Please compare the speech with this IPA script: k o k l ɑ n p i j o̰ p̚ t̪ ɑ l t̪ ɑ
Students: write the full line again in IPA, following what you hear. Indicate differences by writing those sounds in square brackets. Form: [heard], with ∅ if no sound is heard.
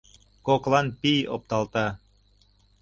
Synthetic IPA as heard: k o k l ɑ n p i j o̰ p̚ t̪ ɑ l t̪ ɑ